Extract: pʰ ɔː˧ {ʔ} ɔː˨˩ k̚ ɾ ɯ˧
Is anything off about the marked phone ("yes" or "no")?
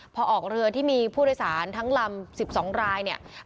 no